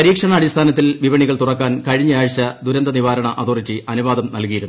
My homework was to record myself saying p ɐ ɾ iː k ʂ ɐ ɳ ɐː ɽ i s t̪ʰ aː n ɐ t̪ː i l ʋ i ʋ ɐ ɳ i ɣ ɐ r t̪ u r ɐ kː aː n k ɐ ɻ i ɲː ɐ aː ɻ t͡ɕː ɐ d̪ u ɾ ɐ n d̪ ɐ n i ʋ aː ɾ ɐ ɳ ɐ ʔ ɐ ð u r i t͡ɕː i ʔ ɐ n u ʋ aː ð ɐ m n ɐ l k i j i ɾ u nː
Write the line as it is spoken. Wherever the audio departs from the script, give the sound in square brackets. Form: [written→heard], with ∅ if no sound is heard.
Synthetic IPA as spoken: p ɐ ɾ iː k ʂ ɐ ɳ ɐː ɽ i s t̪ʰ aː n ɐ t̪ː i l ʋ i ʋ ɐ ɳ i ɣ ɐ [r→ɭ] t̪ u r ɐ kː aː n k ɐ ɻ i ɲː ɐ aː ɻ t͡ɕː ɐ d̪ u ɾ ɐ n d̪ ɐ n i ʋ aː ɾ ɐ ɳ ɐ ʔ ɐ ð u r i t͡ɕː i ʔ ɐ n u ʋ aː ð ɐ m n ɐ l k i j i ɾ u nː